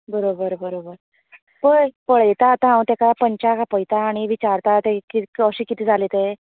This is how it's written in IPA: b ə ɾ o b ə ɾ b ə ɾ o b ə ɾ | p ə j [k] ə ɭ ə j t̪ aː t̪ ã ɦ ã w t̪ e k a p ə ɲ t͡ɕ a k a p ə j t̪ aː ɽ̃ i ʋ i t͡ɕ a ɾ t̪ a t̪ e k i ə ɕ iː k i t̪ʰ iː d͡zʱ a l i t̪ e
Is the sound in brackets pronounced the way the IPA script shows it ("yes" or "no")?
no